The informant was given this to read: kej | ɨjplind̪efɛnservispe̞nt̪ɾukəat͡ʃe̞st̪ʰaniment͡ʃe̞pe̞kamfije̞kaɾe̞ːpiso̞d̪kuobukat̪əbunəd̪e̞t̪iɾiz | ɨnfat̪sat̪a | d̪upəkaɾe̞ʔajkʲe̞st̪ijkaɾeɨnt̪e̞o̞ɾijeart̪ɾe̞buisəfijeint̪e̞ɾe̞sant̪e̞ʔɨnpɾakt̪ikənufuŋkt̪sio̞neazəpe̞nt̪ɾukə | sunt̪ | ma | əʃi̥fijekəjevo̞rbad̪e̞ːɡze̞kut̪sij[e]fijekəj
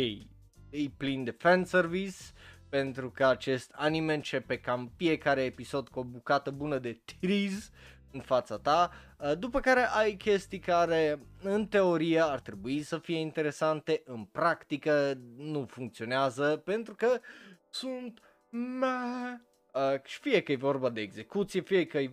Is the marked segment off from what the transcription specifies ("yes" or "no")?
no